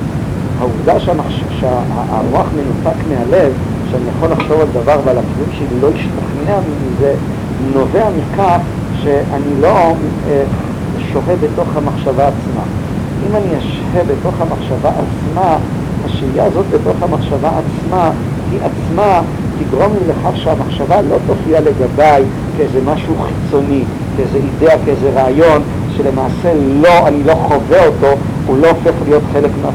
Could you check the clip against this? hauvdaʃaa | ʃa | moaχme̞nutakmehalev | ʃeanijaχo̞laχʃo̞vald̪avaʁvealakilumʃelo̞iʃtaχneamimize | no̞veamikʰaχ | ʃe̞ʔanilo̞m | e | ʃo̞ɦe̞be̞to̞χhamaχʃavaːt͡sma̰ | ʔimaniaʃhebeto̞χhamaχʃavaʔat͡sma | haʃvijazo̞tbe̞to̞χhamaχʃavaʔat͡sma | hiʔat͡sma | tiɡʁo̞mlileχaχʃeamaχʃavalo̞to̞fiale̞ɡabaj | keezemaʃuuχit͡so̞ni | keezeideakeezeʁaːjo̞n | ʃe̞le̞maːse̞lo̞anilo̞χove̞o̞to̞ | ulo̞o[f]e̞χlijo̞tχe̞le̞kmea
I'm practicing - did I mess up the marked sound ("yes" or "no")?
no